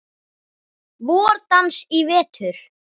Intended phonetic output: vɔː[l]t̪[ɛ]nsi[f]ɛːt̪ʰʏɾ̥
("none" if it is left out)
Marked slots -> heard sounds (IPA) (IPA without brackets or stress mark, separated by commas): ɾ, a, v